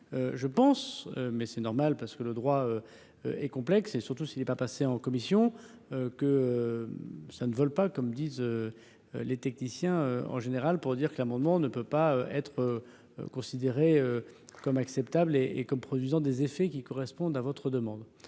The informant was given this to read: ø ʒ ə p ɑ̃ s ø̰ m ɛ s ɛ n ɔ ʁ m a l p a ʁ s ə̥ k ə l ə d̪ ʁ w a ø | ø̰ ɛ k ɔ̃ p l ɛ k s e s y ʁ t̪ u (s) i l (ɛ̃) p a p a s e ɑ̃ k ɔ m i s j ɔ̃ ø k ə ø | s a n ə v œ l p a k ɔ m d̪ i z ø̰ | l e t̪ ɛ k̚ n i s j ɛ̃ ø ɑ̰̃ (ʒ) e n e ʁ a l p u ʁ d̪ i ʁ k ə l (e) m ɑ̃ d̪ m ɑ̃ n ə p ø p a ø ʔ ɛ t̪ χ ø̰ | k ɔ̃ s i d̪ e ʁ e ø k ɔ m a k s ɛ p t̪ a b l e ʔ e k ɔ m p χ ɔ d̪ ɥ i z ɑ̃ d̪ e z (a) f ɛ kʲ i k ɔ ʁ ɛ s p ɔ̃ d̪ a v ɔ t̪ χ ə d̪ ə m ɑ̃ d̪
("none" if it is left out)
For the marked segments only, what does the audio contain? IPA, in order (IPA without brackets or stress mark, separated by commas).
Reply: s, ɛ, ʒ, a, e